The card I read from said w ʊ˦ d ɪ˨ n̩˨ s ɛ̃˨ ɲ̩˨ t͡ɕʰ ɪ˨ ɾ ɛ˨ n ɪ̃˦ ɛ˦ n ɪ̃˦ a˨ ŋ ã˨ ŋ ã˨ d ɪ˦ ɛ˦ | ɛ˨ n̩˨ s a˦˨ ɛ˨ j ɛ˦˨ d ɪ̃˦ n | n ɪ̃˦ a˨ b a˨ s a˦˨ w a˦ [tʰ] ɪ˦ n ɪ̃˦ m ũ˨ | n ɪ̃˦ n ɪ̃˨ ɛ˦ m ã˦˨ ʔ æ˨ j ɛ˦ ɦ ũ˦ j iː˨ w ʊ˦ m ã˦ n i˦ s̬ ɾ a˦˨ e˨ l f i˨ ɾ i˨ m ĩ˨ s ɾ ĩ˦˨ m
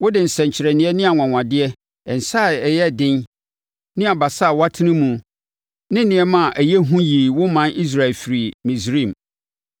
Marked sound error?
no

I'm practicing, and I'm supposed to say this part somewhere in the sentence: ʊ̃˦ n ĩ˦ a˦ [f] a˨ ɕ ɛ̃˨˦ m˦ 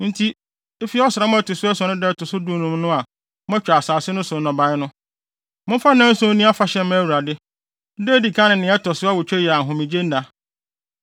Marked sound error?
no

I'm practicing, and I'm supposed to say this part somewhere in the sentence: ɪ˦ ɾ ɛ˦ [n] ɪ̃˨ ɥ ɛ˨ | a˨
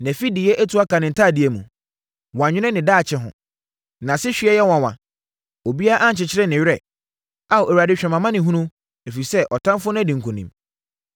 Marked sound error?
no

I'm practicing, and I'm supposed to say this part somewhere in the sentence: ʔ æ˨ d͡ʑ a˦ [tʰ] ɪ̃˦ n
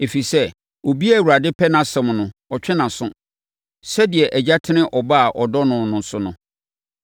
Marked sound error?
no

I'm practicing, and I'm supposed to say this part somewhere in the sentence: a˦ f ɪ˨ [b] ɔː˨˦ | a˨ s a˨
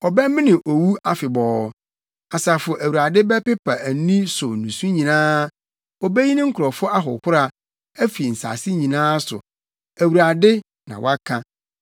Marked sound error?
no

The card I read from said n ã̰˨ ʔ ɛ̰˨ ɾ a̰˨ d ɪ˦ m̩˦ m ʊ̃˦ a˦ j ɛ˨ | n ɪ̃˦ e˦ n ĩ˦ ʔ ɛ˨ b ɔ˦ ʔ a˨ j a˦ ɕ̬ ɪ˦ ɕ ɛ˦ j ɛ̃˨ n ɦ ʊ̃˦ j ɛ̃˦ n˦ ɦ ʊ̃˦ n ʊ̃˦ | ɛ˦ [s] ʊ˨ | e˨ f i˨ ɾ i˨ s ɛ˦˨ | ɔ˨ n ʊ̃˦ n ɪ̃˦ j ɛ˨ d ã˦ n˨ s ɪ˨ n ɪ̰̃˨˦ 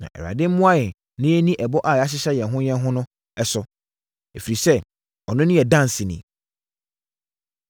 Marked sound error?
no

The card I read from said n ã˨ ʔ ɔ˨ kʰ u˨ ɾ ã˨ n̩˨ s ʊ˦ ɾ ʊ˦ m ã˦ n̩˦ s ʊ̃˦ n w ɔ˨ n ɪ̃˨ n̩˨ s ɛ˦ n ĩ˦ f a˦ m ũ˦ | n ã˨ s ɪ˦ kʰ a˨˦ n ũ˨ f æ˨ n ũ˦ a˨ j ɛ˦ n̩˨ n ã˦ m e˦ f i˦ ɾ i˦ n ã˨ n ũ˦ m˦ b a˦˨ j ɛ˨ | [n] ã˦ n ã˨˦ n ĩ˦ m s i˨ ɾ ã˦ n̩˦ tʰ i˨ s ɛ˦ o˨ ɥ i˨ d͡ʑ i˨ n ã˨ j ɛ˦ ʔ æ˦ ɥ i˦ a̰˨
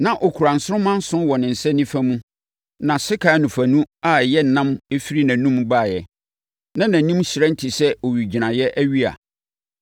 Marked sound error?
no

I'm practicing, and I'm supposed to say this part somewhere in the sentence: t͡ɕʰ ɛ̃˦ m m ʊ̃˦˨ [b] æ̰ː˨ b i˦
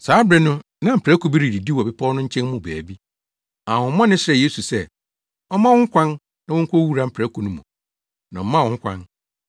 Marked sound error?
no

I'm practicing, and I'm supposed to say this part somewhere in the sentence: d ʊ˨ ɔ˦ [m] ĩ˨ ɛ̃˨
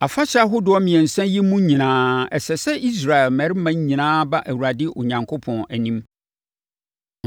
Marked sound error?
no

